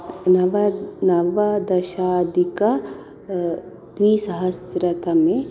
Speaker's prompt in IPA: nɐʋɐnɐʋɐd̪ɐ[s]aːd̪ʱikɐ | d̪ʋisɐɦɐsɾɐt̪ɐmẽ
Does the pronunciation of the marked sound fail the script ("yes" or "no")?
yes